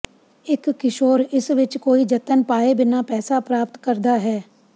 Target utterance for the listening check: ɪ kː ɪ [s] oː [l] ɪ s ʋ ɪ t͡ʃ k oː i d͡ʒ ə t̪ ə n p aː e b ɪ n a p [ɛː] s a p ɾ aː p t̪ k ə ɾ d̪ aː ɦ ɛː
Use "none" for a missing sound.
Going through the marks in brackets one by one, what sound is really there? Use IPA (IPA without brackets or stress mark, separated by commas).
ʃ, ɾ, ɛː